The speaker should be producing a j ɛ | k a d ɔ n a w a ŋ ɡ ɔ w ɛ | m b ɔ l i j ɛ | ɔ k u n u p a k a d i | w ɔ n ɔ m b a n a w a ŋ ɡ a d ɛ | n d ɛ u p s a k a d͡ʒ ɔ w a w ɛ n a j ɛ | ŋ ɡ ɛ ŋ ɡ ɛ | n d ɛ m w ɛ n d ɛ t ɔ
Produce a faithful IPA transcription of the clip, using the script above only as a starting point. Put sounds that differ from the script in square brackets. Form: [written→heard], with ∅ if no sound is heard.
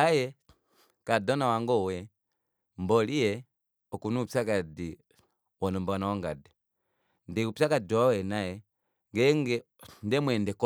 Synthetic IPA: a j ɛ | k a d ɔ n a w a ŋ ɡ ɔ w ɛ | m b ɔ l i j ɛ | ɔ k u n u p a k a d i | w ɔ n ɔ m b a n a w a ŋ ɡ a d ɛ | n d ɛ u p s a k a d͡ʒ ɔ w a w ɛ n a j ɛ | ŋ ɡ ɛ ŋ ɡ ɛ | n d ɛ m w ɛ n d ɛ [t→k] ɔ

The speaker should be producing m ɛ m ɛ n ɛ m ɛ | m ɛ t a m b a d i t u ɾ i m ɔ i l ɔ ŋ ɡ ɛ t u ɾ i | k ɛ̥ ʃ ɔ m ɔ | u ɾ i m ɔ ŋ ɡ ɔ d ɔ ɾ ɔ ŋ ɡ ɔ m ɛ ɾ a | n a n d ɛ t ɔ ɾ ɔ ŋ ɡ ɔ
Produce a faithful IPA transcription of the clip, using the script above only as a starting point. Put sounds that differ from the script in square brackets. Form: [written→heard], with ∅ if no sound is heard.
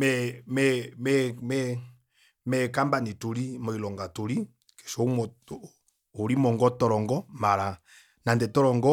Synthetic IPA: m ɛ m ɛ [n→m] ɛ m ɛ | m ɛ [t→k] a m b a [d→n] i t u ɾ i m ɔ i l ɔ ŋ ɡ [ɛ→a] t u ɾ i | k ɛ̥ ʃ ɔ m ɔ | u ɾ i m ɔ ŋ ɡ ɔ [d→t] ɔ ɾ ɔ ŋ ɡ ɔ m [ɛ→a] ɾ a | n a n d ɛ t ɔ ɾ ɔ ŋ ɡ ɔ

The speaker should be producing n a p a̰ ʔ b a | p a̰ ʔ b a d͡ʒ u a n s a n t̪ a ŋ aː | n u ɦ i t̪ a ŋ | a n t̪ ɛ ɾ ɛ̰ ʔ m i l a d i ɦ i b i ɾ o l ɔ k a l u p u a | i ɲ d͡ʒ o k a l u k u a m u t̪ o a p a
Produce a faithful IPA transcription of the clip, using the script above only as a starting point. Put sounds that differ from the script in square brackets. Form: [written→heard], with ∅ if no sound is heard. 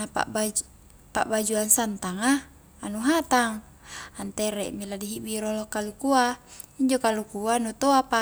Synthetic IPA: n a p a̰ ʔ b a | p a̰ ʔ b a d͡ʒ u a n s a n t̪ a ŋ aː | n u ɦ [i→a] t̪ a ŋ | a n t̪ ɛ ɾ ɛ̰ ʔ m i l a d i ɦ i b i ɾ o l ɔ k a l u [p→k] u a | i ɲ d͡ʒ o k a l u k u a [m→n] u t̪ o a p a

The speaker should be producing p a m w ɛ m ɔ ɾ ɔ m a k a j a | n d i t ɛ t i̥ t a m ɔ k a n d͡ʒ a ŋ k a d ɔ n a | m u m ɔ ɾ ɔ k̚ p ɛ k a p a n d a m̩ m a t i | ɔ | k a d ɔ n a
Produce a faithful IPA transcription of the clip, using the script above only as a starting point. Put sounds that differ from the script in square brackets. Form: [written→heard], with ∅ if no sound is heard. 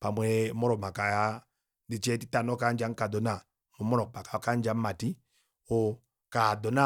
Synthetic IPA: p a m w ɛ m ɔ ɾ ɔ m a k a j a | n d i [t→t͡ʃ] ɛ t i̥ t a [m→n] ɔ k a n d͡ʒ a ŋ k a d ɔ n a | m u m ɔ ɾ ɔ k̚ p [ɛ→a] k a [p→k] a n [d→d͡ʒ] a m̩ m a t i | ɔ | k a d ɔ n a

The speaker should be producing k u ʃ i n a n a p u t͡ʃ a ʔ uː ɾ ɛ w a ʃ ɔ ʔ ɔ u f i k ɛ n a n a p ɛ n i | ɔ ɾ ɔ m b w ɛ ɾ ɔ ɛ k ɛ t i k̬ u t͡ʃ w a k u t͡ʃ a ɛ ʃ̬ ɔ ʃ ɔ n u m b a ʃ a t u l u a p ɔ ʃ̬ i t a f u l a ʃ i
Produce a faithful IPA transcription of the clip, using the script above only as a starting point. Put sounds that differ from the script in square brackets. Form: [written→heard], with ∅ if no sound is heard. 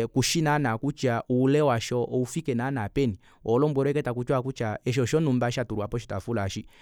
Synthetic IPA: k u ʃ i n a n a [p→k] u t͡ʃ a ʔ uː [ɾ→l] ɛ w a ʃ ɔ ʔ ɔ u f i k ɛ n a n a p ɛ n i | ɔ [ɾ→l] ɔ m b w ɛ ɾ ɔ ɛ k ɛ t [i→a] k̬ u t͡ʃ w a k u t͡ʃ a ɛ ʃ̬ ɔ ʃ ɔ n u m b a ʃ a t u [l→ɾ] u a p ɔ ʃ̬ i t a f u l a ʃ i

